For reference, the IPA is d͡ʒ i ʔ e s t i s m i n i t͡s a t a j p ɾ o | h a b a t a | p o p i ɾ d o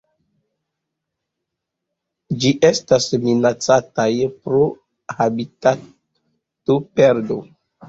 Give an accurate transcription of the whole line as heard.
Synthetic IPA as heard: d͡ʒ i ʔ e s t a s m i n a t͡s a t a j p ɾ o | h a b i t a | t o p e ɾ d o